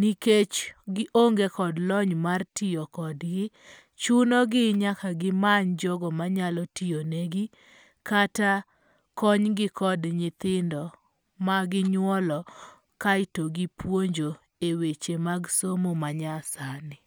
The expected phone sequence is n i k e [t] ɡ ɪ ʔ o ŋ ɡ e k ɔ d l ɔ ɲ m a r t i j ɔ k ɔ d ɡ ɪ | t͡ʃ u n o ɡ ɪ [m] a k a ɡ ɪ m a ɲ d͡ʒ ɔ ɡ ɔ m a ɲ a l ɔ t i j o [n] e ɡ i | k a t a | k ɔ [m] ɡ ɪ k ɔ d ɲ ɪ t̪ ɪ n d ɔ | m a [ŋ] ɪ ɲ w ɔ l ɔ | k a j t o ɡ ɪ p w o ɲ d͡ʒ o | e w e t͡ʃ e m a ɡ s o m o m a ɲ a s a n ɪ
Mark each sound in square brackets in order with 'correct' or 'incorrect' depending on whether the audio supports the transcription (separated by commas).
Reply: incorrect, incorrect, correct, incorrect, incorrect